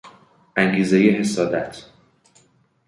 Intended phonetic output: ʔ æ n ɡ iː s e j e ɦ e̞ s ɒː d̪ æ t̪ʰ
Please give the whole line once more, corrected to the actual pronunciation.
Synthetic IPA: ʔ æ ŋ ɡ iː z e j e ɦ e̞ s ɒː d̪ æ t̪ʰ